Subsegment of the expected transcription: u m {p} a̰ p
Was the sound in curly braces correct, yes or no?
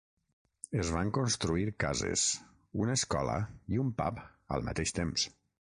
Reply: yes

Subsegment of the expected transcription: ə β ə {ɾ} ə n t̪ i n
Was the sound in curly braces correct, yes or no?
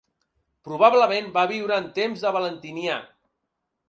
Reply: no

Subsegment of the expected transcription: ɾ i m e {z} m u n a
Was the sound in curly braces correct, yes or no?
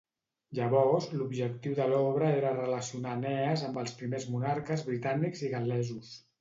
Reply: yes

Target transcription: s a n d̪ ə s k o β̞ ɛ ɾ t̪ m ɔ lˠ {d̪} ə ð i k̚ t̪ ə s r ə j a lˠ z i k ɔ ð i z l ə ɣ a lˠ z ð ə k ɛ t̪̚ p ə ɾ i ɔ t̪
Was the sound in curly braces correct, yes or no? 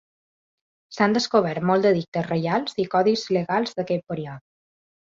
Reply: yes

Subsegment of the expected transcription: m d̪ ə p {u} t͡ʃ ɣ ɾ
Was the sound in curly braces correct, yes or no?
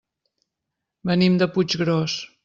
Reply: yes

